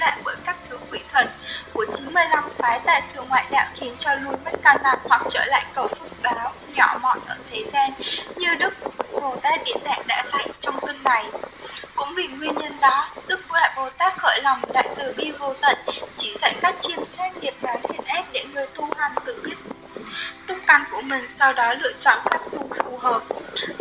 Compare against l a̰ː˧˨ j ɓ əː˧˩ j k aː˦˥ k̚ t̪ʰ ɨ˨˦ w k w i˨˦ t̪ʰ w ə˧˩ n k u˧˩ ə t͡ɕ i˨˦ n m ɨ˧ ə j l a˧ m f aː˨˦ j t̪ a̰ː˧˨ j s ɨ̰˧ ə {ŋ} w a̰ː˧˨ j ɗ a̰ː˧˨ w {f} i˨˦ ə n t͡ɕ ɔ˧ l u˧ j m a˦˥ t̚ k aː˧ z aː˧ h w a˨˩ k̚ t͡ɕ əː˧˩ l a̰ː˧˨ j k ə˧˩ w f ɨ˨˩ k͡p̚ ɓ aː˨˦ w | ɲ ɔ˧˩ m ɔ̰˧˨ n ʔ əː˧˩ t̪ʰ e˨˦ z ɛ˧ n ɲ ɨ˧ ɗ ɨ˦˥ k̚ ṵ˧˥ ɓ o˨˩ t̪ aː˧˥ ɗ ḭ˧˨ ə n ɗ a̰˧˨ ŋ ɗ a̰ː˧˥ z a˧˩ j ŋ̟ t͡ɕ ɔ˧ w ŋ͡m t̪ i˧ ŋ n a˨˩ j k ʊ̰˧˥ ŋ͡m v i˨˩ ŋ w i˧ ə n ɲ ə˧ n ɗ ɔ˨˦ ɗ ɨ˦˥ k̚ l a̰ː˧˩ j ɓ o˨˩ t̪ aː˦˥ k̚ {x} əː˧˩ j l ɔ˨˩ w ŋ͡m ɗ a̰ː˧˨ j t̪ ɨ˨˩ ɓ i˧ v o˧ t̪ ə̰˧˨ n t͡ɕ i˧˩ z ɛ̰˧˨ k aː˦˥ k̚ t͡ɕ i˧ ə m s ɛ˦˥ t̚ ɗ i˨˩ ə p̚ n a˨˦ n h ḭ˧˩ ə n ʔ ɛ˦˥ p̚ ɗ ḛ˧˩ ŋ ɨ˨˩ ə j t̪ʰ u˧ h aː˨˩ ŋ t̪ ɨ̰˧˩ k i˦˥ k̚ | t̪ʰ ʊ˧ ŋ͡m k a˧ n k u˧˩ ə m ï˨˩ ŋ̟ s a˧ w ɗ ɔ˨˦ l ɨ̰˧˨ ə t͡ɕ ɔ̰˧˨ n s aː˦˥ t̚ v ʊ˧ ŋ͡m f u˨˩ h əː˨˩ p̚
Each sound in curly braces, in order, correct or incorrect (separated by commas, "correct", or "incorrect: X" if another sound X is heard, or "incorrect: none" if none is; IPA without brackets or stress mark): correct, incorrect: x, correct